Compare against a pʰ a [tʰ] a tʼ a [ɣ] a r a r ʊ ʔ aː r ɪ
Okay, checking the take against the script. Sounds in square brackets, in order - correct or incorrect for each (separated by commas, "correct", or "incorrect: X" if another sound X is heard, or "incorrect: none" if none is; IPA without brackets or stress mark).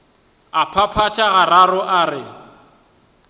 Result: incorrect: pʰ, correct